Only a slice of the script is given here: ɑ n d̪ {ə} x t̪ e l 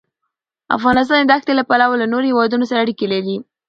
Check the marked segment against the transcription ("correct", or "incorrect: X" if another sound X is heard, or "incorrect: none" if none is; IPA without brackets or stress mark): incorrect: a